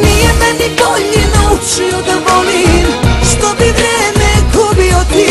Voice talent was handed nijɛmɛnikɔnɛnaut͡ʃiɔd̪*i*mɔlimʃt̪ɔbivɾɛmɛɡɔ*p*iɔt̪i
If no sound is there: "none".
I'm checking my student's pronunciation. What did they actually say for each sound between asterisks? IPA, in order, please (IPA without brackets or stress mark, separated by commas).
a, b